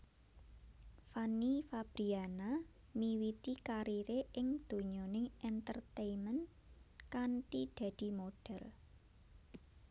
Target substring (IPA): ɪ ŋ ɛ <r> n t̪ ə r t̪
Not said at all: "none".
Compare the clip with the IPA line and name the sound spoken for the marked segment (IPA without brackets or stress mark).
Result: none